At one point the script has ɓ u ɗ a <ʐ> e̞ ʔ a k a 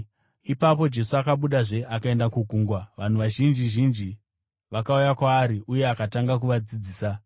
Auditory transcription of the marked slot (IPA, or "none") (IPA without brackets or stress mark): ʐ